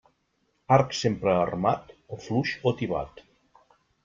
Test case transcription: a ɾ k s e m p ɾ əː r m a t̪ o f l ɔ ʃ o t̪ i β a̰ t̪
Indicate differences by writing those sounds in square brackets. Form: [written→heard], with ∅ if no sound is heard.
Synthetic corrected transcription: a ɾ k s e m p ɾ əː r m a t̪ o f l [ɔ→u] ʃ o t̪ i β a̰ t̪